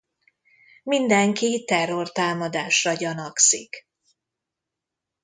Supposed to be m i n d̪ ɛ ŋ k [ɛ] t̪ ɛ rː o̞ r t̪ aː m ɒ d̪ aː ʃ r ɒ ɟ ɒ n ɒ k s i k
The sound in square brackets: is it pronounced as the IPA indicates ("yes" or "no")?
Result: no